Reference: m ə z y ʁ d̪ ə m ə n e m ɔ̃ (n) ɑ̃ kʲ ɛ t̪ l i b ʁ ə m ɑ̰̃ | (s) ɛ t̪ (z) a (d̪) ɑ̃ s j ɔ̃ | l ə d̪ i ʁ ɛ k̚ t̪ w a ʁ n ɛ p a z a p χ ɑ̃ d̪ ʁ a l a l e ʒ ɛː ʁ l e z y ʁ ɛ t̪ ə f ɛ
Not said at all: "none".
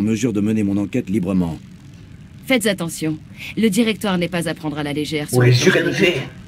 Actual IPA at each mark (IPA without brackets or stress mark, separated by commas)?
n, f, z, t̪